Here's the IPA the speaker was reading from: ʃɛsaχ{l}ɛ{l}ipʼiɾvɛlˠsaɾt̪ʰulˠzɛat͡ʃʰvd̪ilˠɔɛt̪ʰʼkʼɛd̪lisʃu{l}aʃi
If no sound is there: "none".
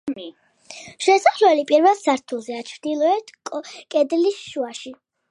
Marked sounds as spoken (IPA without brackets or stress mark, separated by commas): l, l, none